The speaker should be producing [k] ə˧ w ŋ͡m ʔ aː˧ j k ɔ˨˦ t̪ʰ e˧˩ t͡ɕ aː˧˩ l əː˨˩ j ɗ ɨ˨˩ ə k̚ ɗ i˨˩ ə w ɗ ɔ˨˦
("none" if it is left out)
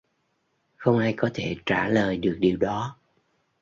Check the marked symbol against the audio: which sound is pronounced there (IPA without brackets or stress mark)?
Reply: x